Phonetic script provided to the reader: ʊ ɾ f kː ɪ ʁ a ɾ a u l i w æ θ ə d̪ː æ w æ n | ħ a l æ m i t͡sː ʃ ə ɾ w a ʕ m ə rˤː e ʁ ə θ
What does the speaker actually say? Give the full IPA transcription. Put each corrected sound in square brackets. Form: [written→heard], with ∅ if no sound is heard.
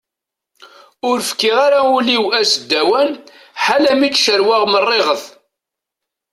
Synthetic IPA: ʊ ɾ f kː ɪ ʁ a ɾ a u l i w æ [θ→s] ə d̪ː æ w æ n | ħ a l æ m i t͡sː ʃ ə ɾ w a [ʕ→ʁ] m ə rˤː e ʁ ə θ